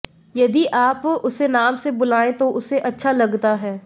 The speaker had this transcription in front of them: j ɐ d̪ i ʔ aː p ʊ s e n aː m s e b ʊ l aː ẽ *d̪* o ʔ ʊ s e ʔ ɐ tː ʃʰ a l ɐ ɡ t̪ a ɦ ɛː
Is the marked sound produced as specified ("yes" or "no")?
no